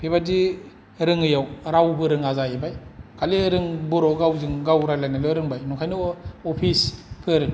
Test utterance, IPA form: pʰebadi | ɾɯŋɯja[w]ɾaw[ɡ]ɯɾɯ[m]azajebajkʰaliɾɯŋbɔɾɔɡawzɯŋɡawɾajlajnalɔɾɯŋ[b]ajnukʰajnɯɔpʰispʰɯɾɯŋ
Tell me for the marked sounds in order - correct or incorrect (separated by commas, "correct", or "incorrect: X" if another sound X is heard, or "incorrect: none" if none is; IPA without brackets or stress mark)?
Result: correct, incorrect: b, incorrect: ŋ, correct